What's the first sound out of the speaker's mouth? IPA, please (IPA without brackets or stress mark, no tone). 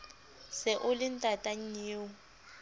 s